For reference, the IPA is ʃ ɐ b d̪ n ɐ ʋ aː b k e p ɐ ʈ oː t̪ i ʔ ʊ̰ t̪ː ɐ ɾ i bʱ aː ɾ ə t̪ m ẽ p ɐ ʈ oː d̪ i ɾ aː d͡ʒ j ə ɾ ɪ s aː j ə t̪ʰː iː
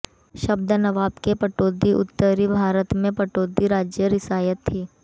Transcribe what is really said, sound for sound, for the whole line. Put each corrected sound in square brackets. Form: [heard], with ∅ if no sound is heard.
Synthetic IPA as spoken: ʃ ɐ b d̪ n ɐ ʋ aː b k e p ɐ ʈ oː [d̪] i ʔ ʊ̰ t̪ː [ə] ɾ i bʱ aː ɾ ə t̪ m ẽ p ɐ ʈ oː d̪ i ɾ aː d͡ʒ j ə ɾ ɪ s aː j ə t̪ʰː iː